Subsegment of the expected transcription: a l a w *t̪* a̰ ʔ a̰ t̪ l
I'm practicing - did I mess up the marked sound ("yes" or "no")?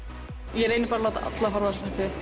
no